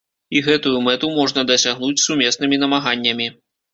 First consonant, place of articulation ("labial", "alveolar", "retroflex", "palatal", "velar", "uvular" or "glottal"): velar